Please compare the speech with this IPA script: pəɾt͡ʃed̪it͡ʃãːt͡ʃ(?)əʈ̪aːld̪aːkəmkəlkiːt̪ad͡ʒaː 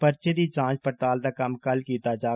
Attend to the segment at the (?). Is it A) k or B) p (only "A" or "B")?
B